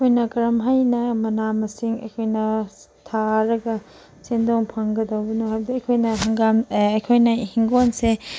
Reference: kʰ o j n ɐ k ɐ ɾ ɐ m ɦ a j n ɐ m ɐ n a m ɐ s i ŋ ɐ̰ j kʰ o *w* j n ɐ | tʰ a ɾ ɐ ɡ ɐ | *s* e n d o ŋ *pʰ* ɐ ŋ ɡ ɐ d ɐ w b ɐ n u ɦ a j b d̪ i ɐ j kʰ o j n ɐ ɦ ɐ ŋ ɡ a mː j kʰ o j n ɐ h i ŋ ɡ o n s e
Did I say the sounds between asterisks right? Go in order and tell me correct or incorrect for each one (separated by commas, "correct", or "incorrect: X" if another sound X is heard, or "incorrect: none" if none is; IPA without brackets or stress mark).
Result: incorrect: none, correct, correct